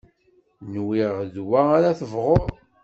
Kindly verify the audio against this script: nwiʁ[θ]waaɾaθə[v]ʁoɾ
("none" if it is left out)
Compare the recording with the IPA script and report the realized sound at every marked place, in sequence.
ð, v

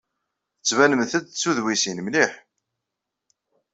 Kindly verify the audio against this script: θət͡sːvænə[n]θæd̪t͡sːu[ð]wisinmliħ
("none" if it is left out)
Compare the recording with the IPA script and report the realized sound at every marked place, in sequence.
m, ð

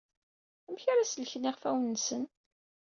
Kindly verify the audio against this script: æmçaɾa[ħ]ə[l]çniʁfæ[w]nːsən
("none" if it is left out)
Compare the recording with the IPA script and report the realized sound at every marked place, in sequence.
s, l, w

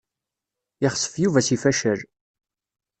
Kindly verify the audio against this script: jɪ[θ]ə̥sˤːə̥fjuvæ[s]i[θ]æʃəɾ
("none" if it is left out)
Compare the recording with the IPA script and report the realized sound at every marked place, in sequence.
χ, s, f

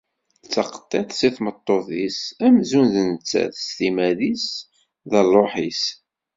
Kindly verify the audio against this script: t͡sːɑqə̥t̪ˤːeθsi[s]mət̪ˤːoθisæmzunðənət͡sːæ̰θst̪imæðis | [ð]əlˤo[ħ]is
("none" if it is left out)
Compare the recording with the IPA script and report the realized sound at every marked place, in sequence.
θ, ð, ħ

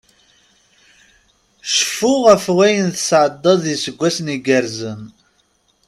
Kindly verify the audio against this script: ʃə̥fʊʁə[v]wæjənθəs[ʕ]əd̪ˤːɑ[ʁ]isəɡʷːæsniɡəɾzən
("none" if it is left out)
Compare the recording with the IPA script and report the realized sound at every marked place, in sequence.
f, ʕ, ð

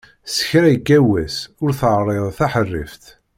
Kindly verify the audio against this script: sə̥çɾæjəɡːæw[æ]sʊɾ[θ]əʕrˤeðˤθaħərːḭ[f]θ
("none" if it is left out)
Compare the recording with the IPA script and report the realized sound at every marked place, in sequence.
æ, θ, f

